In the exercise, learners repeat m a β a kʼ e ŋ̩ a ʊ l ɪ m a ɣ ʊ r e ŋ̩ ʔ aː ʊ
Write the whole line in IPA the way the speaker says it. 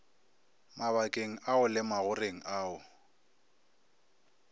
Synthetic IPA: m a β a kʼ e ŋ̩ a ʊ l ɪ m a ɣ ʊ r e ŋ̩ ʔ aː ʊ